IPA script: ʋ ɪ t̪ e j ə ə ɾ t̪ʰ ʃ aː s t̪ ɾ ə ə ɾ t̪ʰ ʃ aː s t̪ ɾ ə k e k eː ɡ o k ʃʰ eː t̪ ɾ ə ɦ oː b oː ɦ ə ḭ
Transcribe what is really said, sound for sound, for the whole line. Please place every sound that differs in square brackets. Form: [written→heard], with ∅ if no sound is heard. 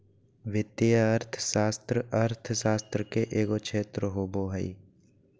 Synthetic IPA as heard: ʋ ɪ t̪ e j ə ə ɾ t̪ʰ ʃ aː s t̪ ɾ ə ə ɾ t̪ʰ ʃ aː s t̪ ɾ ə k e [k→ʔ] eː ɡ o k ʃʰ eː t̪ ɾ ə ɦ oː b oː ɦ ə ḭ